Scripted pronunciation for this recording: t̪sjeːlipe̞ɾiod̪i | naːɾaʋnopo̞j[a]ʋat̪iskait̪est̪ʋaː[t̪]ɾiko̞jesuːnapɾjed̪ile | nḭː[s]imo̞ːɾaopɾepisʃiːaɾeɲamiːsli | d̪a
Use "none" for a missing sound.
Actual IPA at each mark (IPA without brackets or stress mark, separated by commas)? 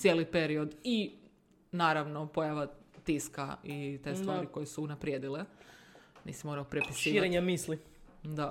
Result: a, none, s